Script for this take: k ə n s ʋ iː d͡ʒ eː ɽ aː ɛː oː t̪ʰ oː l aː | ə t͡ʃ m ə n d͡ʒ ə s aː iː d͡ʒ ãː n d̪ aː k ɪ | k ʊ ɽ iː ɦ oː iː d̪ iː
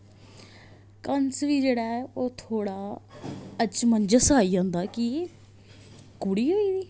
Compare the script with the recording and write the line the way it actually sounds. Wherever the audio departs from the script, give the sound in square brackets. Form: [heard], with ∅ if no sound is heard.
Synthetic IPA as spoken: k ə n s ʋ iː d͡ʒ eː ɽ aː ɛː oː t̪ʰ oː [ɽ] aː | ə t͡ʃ m ə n d͡ʒ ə s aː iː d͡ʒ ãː n d̪ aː k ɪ | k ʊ ɽ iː ɦ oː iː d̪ iː